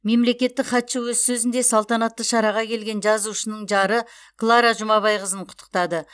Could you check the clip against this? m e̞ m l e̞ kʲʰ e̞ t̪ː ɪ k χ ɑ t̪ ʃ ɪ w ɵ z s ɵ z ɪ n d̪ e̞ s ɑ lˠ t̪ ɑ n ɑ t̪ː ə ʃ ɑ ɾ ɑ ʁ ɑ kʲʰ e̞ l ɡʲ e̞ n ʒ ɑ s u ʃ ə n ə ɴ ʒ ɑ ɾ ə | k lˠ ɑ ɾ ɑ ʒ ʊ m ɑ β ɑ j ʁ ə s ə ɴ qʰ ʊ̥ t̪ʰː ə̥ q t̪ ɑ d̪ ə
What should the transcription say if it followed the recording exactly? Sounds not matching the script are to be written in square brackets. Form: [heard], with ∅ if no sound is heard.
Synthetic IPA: m e̞ m l e̞ [kʲ] e̞ t̪ː ɪ k χ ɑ t̪ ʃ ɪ w ɵ z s ɵ z ɪ n d̪ e̞ s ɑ lˠ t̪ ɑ n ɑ t̪ː ə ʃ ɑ ɾ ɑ ʁ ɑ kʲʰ e̞ l ɡʲ e̞ n ʒ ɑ [z] u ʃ ə n ə ɴ ʒ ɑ ɾ ə | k lˠ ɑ ɾ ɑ ʒ ʊ m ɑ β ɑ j ʁ ə [z] ə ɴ qʰ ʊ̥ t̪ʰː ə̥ q t̪ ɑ d̪ ə